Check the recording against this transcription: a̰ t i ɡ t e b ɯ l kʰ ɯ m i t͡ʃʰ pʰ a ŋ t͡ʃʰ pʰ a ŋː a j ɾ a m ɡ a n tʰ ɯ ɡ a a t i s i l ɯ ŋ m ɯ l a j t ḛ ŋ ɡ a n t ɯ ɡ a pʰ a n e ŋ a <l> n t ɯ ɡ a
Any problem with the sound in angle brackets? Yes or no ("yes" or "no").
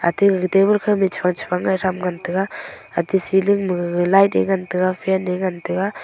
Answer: yes